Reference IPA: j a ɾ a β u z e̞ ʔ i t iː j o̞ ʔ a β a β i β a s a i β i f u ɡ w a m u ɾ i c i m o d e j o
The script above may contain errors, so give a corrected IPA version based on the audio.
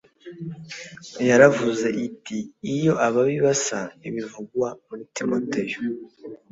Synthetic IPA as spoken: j a ɾ a v u z e̞ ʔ i t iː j o̞ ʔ a β a β i β a s a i β i v u ɡ w a m u ɾ i t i m o t e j o